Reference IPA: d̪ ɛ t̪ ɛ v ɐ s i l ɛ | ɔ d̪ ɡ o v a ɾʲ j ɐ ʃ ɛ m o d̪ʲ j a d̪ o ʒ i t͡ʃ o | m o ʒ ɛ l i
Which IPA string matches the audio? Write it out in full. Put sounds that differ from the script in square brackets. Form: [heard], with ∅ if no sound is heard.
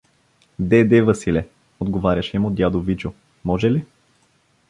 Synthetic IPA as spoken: d̪ ɛ [d̪] ɛ v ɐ s i l ɛ | [o] d̪ ɡ o v a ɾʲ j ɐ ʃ ɛ m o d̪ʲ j a d̪ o [v] i t͡ʃ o | m [ɔ] ʒ ɛ l i

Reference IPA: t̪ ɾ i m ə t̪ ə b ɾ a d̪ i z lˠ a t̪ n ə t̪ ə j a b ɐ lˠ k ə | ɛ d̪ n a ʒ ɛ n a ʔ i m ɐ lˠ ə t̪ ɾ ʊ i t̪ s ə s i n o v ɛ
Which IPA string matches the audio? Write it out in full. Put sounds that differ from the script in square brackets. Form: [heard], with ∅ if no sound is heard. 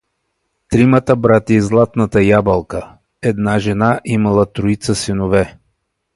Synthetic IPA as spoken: t̪ ɾ i m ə t̪ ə b ɾ a [t̪] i z lˠ a t̪ n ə t̪ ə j a b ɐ lˠ k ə | ɛ d̪ n a ʒ ɛ n a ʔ i m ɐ lˠ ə t̪ ɾ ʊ i t̪ s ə s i n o v ɛ

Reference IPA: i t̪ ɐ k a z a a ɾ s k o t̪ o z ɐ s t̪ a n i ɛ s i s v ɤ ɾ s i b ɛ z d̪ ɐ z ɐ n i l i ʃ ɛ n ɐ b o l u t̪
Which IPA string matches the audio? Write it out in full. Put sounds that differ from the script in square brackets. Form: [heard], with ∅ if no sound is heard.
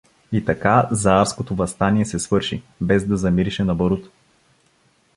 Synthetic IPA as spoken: i t̪ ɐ k a z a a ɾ s k o t̪ o [v] ɐ s t̪ a n i ɛ s [ɛ] s v ɤ ɾ [ʃ] i b ɛ z d̪ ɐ z ɐ [m] i [ɾ] i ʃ ɛ n ɐ b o [ɾ] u t̪

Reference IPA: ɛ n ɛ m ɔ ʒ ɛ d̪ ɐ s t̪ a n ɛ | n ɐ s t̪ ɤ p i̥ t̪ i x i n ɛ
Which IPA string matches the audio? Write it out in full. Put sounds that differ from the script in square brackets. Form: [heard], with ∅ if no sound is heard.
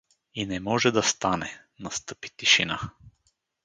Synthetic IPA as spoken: [i] n ɛ m ɔ ʒ ɛ d̪ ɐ s t̪ a n ɛ | n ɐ s t̪ ɤ p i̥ t̪ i [ʃ] i n [a]

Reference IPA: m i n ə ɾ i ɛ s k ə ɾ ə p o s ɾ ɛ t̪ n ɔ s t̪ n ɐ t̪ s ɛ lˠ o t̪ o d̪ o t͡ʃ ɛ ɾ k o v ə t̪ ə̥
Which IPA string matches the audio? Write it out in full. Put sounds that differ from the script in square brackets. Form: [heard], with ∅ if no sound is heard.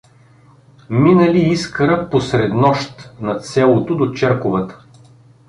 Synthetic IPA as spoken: m i n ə [l] i [i] s k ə ɾ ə p o s ɾ ɛ [d̪] n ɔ [ʃ] t̪ n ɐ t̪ s ɛ lˠ o t̪ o d̪ o t͡ʃ ɛ ɾ k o v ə t̪ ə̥

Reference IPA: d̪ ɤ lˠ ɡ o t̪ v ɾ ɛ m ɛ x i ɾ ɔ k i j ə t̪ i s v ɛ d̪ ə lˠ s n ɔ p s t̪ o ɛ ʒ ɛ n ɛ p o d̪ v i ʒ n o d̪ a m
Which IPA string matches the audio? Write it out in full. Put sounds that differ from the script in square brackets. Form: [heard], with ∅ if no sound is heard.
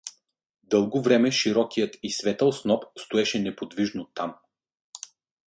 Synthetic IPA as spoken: d̪ ɤ lˠ ɡ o [∅] v ɾ ɛ m ɛ [ʃ] i ɾ ɔ k i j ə t̪ i s v ɛ [t̪] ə lˠ s n ɔ p s t̪ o ɛ [ʃ] ɛ n ɛ p o d̪ v i ʒ n o [t̪] a m

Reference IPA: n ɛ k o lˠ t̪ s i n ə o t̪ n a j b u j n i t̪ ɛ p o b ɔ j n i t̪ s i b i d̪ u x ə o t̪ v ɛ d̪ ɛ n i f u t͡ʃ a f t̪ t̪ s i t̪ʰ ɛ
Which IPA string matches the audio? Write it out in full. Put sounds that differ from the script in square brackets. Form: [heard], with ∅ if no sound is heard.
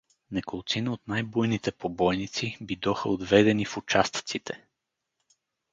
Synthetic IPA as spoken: n ɛ k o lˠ t̪ s i n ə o t̪ n a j b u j n i t̪ ɛ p o b ɔ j n i t̪ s i b i d̪ [ɔ] x ə o [d̪] v ɛ d̪ ɛ n i f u t͡ʃ a [s] t̪ t̪ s i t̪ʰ ɛ

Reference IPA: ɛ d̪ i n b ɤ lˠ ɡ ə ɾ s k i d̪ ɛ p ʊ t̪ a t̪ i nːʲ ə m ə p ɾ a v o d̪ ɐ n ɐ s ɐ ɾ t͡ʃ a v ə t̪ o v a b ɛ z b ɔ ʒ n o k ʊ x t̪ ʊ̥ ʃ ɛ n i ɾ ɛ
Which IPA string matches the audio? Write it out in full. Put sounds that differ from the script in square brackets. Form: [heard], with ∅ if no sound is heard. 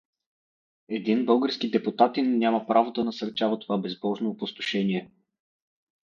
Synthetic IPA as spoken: ɛ d̪ i n b ɤ lˠ ɡ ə ɾ s k i d̪ ɛ p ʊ t̪ a t̪ i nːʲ [a] m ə p ɾ a v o d̪ ɐ n ɐ s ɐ ɾ t͡ʃ a v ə t̪ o v a b ɛ z b ɔ ʒ n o [p] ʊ [s] t̪ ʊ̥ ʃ ɛ n i [∅] ɛ

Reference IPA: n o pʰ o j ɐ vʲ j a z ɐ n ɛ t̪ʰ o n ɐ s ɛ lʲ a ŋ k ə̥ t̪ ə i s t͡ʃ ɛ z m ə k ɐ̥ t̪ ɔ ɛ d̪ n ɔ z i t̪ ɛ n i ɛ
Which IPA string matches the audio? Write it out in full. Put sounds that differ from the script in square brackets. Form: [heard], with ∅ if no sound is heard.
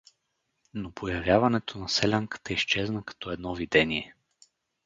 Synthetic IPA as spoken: n o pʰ o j ɐ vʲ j a [v] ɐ n ɛ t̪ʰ o n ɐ s ɛ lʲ a ŋ k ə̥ t̪ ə i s t͡ʃ ɛ z [n] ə k ɐ̥ t̪ ɔ ɛ d̪ n ɔ [v] i [d̪] ɛ n i ɛ

